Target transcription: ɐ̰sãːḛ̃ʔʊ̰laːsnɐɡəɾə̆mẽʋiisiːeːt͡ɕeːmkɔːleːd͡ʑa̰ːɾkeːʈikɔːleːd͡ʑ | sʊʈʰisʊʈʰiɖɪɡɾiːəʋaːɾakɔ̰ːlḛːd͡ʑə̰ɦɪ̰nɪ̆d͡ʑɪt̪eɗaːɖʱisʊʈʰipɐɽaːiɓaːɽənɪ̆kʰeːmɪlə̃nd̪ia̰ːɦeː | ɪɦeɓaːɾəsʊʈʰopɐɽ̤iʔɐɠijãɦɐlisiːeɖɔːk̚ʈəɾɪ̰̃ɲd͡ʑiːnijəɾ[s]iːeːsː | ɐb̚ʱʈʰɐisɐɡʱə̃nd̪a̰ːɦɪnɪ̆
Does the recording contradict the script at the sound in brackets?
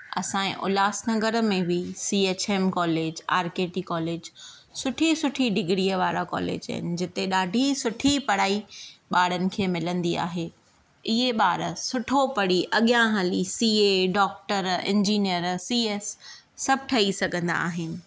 no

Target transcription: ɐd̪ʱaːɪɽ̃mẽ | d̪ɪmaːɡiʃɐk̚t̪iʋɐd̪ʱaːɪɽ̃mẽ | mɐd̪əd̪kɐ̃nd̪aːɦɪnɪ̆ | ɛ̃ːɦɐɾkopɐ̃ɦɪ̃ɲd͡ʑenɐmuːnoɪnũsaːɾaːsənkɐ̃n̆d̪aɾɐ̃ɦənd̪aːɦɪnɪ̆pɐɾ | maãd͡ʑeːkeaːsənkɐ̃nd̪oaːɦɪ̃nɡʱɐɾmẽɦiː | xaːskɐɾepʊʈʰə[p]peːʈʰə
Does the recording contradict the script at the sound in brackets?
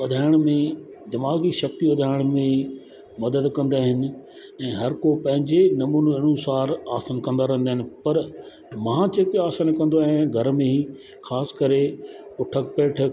yes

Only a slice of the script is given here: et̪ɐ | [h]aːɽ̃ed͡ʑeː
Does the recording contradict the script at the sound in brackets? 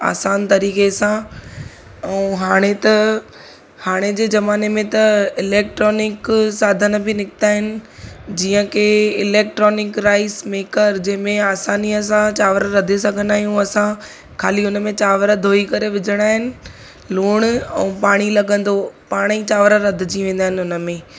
no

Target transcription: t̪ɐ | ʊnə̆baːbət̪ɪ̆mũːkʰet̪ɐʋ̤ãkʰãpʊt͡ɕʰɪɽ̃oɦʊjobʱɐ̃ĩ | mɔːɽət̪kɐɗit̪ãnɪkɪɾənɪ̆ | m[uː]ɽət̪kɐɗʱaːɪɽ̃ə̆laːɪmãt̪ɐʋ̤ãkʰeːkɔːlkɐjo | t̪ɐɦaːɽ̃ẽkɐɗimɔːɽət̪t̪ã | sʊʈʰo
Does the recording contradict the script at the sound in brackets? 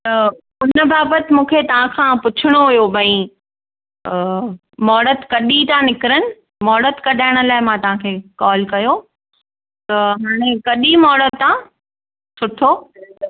yes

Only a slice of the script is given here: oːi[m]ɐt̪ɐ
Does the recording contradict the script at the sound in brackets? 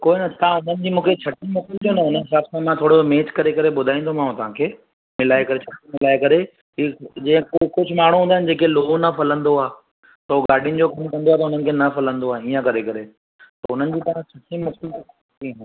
yes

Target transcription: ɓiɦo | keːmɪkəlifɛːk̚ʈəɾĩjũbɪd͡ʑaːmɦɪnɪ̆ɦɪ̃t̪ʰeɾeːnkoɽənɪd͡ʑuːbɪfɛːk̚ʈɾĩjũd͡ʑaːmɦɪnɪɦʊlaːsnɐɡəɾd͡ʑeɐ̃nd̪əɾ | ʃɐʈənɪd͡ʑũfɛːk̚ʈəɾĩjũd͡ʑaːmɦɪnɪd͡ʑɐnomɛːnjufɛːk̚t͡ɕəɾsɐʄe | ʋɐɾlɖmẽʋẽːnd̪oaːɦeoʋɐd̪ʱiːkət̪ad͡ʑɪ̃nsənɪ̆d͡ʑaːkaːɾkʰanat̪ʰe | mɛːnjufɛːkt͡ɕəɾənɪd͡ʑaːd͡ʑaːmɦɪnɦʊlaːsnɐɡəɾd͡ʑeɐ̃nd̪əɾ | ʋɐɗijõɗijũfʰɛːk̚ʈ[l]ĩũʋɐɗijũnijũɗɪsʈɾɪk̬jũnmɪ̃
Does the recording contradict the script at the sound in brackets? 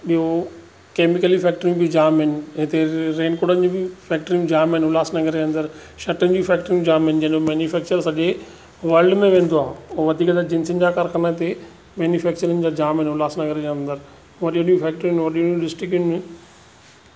yes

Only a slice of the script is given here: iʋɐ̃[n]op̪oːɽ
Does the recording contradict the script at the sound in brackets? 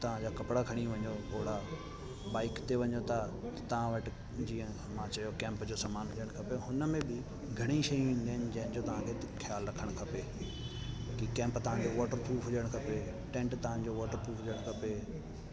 yes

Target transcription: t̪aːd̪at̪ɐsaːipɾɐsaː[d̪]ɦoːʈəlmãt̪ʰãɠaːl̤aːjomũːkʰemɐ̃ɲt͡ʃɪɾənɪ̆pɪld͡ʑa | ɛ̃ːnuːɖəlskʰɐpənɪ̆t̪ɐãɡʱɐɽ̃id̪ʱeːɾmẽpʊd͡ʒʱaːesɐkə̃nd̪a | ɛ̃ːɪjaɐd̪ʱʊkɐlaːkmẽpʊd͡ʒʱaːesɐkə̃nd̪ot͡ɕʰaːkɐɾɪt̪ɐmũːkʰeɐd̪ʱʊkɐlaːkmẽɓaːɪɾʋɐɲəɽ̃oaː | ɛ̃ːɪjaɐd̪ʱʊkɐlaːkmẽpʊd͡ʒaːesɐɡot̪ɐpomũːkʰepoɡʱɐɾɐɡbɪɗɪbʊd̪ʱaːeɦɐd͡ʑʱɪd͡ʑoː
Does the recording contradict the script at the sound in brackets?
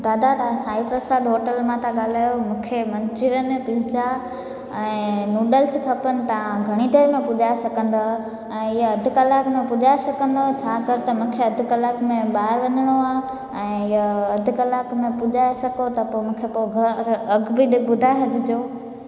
no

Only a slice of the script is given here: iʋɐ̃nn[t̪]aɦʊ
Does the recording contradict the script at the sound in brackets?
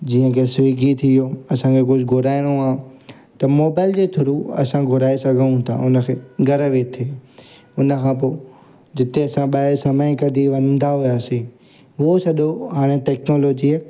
yes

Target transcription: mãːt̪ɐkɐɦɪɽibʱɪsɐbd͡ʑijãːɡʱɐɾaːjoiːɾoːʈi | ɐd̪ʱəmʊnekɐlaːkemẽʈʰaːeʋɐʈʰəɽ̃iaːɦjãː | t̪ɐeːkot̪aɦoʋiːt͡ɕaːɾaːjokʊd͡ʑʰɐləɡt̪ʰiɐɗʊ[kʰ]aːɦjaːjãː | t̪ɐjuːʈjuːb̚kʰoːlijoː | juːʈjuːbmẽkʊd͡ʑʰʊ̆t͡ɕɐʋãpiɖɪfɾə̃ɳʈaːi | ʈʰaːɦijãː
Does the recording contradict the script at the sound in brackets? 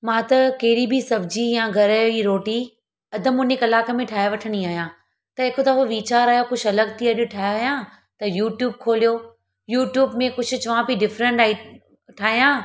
yes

